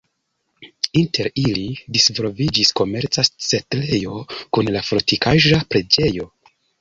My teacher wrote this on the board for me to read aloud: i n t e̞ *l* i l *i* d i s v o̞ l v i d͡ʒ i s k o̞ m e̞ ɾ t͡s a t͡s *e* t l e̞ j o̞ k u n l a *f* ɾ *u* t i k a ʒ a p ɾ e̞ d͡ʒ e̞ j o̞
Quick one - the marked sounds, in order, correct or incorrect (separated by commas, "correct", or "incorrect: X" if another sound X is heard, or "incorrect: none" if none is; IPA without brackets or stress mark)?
incorrect: ɾ, correct, correct, correct, incorrect: o